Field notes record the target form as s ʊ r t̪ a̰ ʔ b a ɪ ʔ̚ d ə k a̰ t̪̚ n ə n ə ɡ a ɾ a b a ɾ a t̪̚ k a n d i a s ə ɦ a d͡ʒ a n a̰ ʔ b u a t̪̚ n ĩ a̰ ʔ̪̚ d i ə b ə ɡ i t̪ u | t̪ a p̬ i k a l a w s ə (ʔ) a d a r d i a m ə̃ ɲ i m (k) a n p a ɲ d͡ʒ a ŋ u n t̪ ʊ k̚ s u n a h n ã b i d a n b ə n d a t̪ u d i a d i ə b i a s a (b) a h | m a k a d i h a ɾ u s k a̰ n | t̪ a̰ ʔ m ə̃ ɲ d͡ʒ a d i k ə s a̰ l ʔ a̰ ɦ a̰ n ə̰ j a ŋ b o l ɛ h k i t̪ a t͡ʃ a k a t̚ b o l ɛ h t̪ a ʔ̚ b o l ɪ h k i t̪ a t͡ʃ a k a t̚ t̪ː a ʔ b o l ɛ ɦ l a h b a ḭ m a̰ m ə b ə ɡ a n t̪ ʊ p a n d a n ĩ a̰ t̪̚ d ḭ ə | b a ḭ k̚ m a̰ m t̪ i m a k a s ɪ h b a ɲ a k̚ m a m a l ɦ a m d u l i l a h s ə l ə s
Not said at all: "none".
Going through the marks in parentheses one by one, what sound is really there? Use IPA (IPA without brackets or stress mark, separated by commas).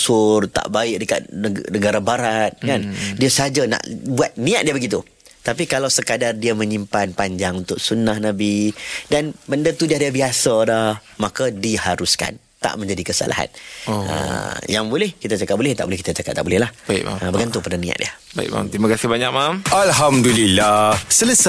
k, p, d